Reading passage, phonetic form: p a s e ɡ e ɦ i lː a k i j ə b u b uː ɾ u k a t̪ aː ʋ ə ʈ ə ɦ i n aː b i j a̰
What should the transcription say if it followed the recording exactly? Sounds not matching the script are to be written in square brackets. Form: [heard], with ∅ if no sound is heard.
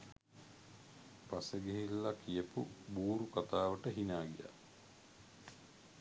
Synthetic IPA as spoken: p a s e ɡ e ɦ i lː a k i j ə [p] u b uː ɾ u k a t̪ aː ʋ ə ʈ ə ɦ i n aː [ɡ] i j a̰